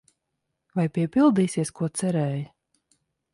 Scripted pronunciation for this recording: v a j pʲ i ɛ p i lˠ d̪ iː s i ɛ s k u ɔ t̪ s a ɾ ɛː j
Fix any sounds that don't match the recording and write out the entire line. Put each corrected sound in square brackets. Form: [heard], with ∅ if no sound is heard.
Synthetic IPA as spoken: v a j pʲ i ɛ p i lˠ d̪ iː s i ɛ s k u ɔ t̪ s [ɛ] ɾ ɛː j